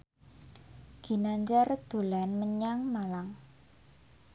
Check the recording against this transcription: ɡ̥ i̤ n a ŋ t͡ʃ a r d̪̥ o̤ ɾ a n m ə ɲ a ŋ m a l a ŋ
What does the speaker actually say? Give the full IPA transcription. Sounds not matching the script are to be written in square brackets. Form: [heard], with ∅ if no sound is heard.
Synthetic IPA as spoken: ɡ̥ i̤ n a [ɲ] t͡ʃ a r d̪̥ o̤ [l] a n m ə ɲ a ŋ m a l a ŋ